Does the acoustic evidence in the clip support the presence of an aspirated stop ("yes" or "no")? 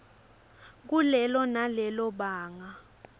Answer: no